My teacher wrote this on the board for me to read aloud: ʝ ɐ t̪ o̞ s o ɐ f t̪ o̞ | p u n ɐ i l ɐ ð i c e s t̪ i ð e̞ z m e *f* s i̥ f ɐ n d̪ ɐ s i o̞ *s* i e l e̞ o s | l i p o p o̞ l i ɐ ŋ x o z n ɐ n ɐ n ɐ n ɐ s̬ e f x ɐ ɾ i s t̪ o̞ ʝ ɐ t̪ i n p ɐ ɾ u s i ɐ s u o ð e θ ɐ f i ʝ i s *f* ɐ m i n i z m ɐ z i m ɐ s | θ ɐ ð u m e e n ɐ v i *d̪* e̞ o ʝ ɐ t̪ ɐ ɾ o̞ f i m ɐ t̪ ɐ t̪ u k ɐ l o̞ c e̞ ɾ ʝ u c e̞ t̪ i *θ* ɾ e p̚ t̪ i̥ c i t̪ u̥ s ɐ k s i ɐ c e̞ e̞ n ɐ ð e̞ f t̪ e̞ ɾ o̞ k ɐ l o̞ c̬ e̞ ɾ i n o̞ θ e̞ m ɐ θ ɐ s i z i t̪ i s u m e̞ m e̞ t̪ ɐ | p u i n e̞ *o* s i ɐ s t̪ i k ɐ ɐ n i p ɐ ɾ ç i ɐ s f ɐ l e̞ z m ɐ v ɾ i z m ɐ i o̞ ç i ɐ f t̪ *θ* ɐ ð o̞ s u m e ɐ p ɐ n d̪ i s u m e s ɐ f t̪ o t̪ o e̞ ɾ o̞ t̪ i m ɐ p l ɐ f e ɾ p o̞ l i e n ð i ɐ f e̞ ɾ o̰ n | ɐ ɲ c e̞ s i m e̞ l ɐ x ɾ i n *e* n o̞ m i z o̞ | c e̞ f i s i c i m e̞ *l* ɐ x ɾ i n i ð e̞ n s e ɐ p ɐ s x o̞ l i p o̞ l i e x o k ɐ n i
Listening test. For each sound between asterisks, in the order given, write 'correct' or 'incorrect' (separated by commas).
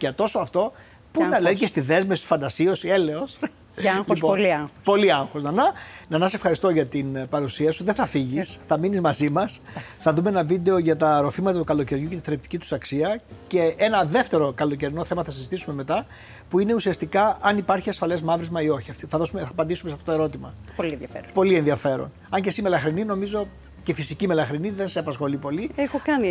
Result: correct, correct, incorrect, correct, correct, incorrect, correct, incorrect, correct